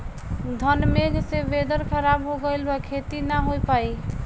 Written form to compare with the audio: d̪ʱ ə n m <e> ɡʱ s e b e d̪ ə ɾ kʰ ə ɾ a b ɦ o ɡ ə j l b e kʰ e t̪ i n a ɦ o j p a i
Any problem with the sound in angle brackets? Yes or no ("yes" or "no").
no